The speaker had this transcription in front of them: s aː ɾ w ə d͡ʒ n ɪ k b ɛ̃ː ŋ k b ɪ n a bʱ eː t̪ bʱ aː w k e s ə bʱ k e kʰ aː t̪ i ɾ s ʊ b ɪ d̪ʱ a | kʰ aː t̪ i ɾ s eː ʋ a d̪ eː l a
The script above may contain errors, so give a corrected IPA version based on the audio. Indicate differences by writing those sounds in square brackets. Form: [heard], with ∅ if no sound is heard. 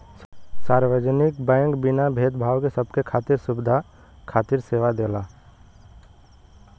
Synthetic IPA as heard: s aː ɾ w ə d͡ʒ n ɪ k b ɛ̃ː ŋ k b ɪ n a bʱ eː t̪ bʱ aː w k e s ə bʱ k e kʰ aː t̪ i ɾ s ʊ b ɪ d̪ʱ a | kʰ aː t̪ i ɾ s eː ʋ a d̪ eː l a